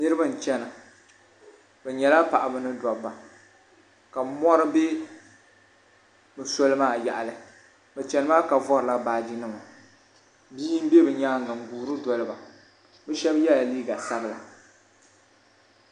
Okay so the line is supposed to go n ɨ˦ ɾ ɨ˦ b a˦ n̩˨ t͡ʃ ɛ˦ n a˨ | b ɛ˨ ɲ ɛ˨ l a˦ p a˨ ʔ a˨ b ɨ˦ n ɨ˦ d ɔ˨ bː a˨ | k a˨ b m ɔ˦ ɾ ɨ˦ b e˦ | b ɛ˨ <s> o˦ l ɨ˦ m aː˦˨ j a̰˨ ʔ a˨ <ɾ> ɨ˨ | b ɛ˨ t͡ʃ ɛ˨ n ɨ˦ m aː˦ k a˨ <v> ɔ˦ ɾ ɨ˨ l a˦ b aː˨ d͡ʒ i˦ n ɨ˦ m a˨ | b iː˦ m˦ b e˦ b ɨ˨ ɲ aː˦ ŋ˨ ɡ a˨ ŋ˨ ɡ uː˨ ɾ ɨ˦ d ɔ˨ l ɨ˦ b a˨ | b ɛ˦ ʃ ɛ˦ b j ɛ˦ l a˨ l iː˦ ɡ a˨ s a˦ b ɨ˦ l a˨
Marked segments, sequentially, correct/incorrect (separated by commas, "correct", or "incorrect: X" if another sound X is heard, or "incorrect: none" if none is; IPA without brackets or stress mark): correct, incorrect: l, correct